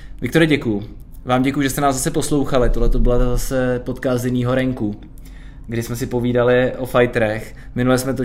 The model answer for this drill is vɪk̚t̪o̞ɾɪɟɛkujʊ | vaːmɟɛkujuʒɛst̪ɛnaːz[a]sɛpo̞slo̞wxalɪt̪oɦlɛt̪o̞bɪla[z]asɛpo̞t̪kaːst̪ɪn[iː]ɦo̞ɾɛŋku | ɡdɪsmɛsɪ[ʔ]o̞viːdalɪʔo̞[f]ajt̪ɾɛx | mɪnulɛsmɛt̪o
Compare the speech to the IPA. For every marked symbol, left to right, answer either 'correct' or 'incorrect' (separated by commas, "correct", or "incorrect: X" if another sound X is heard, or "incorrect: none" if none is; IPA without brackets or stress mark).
correct, correct, correct, incorrect: p, correct